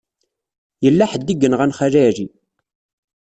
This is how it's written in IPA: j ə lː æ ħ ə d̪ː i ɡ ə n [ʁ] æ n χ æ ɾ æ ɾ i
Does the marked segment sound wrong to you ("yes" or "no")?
no